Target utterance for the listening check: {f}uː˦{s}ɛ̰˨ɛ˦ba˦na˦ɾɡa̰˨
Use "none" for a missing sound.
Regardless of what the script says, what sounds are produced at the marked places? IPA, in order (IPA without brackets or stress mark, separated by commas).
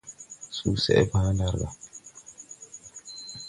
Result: s, s